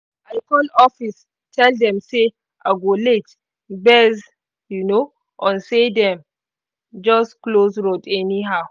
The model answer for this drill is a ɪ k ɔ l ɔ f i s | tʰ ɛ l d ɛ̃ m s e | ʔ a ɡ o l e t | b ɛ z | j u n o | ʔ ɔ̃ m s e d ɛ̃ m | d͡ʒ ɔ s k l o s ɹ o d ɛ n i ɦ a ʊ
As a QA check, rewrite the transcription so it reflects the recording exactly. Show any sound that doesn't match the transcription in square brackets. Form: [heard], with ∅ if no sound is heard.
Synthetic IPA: a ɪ k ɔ l ɔ f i s | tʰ ɛ l d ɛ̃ m s e | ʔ a ɡ o l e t | b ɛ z | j u n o | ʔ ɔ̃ [n] s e d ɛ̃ m | d͡ʒ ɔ s k l o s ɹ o d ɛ n i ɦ a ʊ